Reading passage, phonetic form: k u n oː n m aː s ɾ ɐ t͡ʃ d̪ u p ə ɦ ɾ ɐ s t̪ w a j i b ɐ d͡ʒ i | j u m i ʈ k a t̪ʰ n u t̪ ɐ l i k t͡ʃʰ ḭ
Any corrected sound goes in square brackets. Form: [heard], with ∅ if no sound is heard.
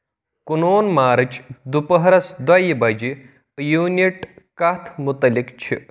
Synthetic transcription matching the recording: k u n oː n m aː [∅] ɾ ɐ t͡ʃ d̪ u p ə ɦ ɾ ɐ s [d̪] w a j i b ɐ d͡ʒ i | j u [n] i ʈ k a t̪ʰ [m] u t̪ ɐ l i k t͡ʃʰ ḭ